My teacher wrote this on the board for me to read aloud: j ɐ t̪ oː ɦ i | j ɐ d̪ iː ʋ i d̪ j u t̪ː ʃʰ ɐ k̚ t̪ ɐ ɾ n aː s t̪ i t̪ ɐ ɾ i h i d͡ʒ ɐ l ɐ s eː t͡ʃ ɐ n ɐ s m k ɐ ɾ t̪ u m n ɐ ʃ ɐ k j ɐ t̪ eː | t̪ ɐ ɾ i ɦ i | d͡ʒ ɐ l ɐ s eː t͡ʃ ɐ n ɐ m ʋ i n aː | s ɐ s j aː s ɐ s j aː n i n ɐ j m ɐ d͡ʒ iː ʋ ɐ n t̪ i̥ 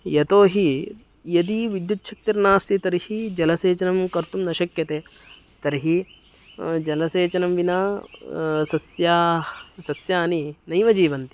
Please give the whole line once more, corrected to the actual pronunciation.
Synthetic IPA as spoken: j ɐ t̪ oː ɦ i | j ɐ d̪ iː ʋ i d̪ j u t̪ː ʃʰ ɐ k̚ t̪ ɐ ɾ n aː s t̪ i t̪ ɐ ɾ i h i d͡ʒ ɐ l ɐ s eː t͡ʃ ɐ n ɐ m k ɐ ɾ t̪ u m n ɐ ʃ ɐ k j ɐ t̪ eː | t̪ ɐ ɾ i ɦ i | d͡ʒ ɐ l ɐ s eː t͡ʃ ɐ n ɐ m ʋ i n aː | s ɐ s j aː s ɐ s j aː n i n ɐ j m ɐ d͡ʒ iː ʋ ɐ n t̪ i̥